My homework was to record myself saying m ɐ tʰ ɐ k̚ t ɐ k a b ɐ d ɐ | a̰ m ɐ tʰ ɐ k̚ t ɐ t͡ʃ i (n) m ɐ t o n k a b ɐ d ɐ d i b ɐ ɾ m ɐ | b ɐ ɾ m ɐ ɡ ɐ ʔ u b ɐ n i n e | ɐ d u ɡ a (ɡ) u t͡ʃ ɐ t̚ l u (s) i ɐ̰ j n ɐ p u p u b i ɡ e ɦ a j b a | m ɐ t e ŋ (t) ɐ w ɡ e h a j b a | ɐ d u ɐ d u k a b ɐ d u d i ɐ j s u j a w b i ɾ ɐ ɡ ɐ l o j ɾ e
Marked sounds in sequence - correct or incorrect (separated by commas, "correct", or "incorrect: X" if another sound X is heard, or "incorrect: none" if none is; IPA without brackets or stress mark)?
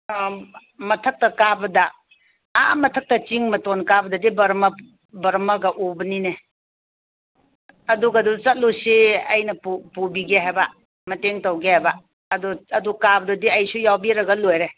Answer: incorrect: ŋ, incorrect: d, correct, correct